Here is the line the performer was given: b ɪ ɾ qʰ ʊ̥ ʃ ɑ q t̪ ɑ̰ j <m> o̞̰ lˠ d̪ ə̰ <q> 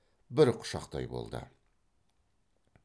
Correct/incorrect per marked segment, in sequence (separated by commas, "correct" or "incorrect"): incorrect, incorrect